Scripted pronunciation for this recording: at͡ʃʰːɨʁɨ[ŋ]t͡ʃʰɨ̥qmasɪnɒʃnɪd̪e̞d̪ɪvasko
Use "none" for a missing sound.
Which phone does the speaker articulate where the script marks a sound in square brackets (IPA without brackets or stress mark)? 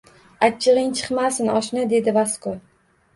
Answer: ŋ